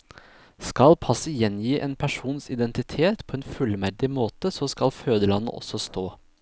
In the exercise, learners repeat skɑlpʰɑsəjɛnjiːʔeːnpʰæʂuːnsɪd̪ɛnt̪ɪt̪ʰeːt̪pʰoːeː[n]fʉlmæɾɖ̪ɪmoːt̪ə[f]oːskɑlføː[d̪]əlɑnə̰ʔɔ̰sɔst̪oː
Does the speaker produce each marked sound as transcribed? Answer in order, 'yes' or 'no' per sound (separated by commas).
yes, no, yes